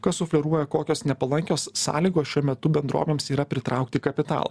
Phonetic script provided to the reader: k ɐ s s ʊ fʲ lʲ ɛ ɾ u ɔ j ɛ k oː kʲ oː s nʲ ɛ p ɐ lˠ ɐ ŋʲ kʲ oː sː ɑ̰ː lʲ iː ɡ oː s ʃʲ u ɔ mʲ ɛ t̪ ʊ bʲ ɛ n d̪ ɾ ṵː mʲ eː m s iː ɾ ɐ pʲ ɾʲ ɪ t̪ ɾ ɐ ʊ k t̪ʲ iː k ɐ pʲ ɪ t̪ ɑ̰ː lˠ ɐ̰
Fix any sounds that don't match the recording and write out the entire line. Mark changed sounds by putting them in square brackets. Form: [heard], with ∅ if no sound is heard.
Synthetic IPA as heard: k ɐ s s ʊ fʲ lʲ ɛ ɾ u ɔ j ɛ k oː kʲ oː s nʲ ɛ p ɐ lˠ ɐ ŋʲ kʲ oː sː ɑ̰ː lʲ iː ɡ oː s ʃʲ u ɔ mʲ ɛ t̪ ʊ bʲ ɛ n d̪ ɾ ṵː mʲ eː m s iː ɾ ɐ pʲ ɾʲ ɪ t̪ ɾ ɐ ʊ k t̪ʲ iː k ɐ pʲ ɪ t̪ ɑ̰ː lˠ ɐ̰

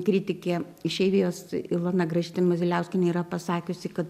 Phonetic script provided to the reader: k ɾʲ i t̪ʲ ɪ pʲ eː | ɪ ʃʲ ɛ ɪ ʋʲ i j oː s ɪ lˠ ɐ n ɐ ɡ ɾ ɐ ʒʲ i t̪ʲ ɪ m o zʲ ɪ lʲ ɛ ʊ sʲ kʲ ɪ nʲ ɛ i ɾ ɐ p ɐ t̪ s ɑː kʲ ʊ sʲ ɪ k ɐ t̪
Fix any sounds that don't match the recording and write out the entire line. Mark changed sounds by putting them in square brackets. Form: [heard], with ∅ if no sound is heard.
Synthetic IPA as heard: k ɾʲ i t̪ʲ ɪ [kʲ] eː | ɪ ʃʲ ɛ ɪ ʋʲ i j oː s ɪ lˠ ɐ n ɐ ɡ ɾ ɐ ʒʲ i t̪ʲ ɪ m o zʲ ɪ lʲ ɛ ʊ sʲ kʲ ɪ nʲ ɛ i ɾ ɐ p ɐ [∅] s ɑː kʲ ʊ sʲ ɪ k ɐ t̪

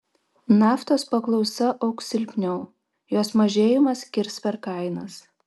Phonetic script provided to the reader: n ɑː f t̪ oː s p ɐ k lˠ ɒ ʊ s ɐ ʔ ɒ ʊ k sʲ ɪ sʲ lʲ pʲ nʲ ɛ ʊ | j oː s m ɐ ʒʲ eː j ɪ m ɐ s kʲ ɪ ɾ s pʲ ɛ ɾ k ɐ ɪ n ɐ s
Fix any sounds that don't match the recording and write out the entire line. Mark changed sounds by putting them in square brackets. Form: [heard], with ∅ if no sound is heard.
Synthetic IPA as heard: n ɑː f t̪ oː s p ɐ k lˠ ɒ ʊ s ɐ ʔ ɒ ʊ k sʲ ɪ [∅] lʲ pʲ nʲ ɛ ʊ | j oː s m ɐ ʒʲ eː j ɪ m ɐ s kʲ ɪ ɾ s pʲ ɛ ɾ k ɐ ɪ n ɐ s

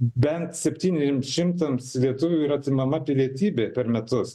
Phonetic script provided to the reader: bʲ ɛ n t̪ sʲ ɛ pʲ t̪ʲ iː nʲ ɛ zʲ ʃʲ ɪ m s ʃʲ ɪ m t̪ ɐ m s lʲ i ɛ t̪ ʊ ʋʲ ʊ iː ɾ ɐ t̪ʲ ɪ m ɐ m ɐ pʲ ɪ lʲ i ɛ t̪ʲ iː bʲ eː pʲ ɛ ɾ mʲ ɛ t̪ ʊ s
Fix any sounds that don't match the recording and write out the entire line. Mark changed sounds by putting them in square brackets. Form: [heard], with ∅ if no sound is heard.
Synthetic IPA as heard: bʲ ɛ n t̪ sʲ ɛ pʲ t̪ʲ iː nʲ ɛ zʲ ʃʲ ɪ m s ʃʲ ɪ m t̪ ɐ m s lʲ i ɛ t̪ ʊ ʋʲ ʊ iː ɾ ɐ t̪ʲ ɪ m ɐ m ɐ pʲ ɪ lʲ i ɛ t̪ʲ iː bʲ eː pʲ ɛ ɾ mʲ ɛ t̪ ʊ s

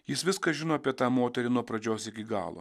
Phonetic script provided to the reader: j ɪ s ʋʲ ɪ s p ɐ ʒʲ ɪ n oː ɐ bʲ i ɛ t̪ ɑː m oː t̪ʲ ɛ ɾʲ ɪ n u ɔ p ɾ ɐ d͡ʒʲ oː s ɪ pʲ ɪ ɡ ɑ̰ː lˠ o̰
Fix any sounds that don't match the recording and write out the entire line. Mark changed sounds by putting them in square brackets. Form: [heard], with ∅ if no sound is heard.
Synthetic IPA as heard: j ɪ s ʋʲ ɪ s [k] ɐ ʒʲ ɪ n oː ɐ [pʲ] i ɛ t̪ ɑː m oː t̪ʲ ɛ ɾʲ ɪ n u ɔ p ɾ ɐ d͡ʒʲ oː s ɪ [kʲ] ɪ ɡ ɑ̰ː lˠ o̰

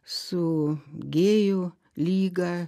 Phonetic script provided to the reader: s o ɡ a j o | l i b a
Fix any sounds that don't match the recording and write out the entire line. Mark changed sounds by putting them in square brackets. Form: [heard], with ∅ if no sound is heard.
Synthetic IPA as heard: s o ɡ [e] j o | l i [ɡ] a

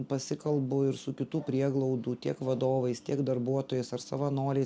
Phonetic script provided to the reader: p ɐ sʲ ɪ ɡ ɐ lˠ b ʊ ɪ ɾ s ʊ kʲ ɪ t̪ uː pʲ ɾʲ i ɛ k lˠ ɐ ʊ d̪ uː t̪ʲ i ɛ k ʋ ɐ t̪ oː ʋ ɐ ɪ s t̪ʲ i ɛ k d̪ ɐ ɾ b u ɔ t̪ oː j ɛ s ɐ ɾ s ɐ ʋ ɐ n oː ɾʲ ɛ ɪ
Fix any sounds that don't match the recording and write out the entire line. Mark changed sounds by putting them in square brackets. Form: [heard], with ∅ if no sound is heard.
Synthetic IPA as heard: p ɐ sʲ ɪ [k] ɐ lˠ b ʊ ɪ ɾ s ʊ kʲ ɪ t̪ uː pʲ ɾʲ i ɛ [ɡ] lˠ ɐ ʊ d̪ uː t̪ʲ i ɛ k ʋ ɐ [d̪] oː ʋ ɐ ɪ s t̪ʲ i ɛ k d̪ ɐ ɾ b u ɔ t̪ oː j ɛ s ɐ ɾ s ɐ ʋ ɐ n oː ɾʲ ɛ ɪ

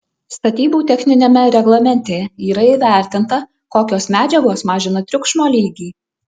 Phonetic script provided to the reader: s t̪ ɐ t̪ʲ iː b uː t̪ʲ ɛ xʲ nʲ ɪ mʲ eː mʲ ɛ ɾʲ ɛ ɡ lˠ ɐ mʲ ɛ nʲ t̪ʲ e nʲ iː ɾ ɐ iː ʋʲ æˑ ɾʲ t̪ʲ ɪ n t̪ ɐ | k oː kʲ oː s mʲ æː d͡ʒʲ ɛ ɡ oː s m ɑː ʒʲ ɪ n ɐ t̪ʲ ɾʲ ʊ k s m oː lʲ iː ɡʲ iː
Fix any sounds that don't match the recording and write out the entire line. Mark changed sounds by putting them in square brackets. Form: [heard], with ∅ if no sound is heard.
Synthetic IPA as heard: s t̪ ɐ t̪ʲ iː b uː t̪ʲ ɛ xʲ nʲ ɪ [nʲ] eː mʲ ɛ ɾʲ ɛ ɡ lˠ ɐ mʲ ɛ nʲ t̪ʲ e [∅] iː ɾ ɐ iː ʋʲ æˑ ɾʲ t̪ʲ ɪ n t̪ ɐ | k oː kʲ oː s mʲ æː d͡ʒʲ ɛ ɡ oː s m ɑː ʒʲ ɪ n ɐ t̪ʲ ɾʲ ʊ k [ʃ] m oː lʲ iː ɡʲ iː

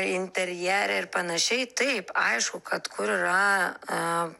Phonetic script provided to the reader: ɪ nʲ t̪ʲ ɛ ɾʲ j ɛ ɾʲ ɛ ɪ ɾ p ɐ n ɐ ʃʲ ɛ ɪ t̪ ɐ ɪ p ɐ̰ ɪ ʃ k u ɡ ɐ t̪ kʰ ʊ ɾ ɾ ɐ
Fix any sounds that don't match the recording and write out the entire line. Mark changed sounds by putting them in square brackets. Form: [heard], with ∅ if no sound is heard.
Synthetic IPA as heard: ɪ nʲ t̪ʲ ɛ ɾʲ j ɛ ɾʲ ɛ ɪ ɾ p ɐ n ɐ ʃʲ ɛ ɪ t̪ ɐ ɪ p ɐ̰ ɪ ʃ k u [k] ɐ t̪ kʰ ʊ ɾ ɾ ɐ

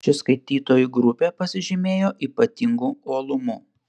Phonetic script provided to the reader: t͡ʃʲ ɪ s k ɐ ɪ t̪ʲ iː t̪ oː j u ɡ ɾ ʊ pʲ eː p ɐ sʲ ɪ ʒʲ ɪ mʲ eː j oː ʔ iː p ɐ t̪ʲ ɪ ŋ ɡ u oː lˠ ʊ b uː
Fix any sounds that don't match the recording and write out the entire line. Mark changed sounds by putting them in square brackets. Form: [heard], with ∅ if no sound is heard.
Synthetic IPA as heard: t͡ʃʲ ɪ s k ɐ ɪ t̪ʲ iː t̪ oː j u ɡ ɾ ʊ pʲ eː p ɐ sʲ ɪ ʒʲ ɪ mʲ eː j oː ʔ iː p ɐ t̪ʲ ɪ ŋ ɡ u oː lˠ ʊ [m] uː

